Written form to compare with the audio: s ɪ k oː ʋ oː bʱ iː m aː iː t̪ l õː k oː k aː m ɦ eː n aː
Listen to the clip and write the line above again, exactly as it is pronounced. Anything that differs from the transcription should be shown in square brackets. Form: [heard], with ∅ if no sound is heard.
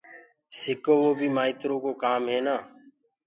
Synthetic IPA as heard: s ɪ k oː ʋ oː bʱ iː m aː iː t̪ [ɾ] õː k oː k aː m ɦ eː n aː